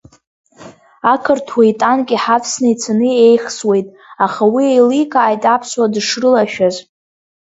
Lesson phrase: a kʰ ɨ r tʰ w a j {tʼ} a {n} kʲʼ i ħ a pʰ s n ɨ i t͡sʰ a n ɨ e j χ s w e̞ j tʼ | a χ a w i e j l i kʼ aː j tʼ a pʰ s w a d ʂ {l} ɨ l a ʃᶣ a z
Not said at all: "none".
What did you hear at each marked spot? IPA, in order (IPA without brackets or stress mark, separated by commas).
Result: tʼ, n, r